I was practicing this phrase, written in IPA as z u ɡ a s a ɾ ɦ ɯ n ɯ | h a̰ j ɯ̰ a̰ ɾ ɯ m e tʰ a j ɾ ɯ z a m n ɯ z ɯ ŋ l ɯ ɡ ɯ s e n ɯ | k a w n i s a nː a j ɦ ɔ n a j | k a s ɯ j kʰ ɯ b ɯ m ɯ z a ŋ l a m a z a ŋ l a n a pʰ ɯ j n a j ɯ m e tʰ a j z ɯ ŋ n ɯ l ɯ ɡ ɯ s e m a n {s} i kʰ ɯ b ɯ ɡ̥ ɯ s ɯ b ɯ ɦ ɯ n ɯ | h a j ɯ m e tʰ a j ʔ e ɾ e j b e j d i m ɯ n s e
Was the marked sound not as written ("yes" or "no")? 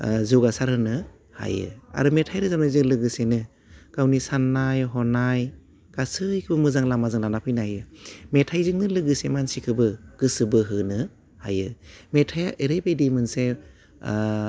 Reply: no